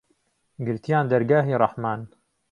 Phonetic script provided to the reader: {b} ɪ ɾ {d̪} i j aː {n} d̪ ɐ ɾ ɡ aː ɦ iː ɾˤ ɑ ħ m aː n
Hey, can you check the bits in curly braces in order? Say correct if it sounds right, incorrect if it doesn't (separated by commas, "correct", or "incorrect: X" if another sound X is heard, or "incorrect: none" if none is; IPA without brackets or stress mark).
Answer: incorrect: ɡ, incorrect: t̪, correct